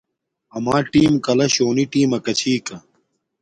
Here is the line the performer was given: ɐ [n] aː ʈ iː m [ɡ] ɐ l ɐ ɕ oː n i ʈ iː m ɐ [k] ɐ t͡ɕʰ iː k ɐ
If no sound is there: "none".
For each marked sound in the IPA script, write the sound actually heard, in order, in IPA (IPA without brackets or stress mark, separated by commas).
m, k, k